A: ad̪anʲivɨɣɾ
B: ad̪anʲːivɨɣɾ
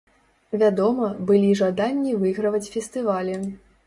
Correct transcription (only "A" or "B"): B